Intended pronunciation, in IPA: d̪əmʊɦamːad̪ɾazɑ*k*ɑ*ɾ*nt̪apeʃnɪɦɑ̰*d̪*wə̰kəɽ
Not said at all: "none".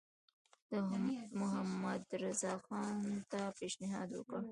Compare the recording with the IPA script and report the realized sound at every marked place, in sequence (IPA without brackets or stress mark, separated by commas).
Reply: x, none, d̪